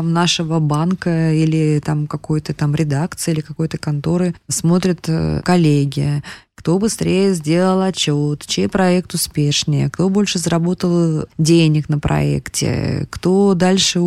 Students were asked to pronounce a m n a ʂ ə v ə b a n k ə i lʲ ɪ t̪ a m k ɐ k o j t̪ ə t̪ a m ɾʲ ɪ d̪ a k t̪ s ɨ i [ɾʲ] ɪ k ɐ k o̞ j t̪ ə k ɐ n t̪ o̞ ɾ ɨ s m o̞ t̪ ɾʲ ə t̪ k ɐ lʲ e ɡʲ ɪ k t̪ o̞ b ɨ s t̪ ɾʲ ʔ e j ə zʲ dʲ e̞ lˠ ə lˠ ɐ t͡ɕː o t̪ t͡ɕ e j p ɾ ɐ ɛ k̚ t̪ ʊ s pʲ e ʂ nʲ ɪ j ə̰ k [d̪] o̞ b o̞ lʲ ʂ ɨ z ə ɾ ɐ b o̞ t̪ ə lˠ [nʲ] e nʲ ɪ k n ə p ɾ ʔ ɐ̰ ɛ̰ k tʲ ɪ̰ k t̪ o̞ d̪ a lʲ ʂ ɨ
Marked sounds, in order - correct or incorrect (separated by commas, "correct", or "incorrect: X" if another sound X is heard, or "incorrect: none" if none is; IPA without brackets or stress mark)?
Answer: incorrect: lʲ, incorrect: t̪, incorrect: dʲ